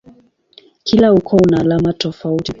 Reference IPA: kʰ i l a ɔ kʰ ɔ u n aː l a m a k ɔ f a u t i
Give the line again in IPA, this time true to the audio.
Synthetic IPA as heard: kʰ i l a u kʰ ɔ u n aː l a m a t ɔ f a u t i